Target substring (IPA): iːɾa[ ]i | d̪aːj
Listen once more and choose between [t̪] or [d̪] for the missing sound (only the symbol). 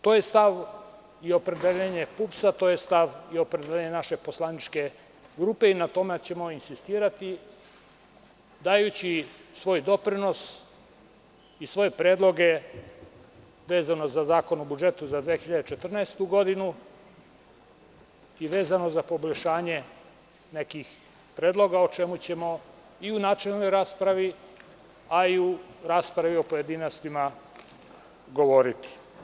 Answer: t̪